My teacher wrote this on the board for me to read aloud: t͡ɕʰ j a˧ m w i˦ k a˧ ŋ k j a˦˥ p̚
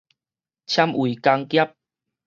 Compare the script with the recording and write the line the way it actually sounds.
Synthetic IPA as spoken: t͡ɕʰ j a˧ m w i˨˩ k a˧ ŋ k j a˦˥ p̚